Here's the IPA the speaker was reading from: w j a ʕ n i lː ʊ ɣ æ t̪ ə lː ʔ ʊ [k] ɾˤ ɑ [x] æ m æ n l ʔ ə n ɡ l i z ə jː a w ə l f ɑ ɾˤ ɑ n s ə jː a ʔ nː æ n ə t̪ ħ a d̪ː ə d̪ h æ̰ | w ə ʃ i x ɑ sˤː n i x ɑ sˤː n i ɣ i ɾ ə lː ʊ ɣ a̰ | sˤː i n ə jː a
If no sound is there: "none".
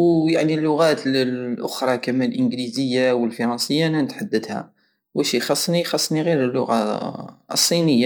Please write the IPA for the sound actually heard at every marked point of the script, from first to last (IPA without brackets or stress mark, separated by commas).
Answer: x, k